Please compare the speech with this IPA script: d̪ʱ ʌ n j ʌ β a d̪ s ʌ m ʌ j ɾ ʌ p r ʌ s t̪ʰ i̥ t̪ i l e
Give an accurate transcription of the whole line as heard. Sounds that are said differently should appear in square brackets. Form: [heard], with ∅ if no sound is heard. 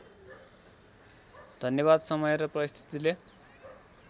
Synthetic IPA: d̪ʱ ʌ n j ʌ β a d̪ s ʌ m ʌ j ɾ ʌ p r ʌ s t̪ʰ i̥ t̪ i l e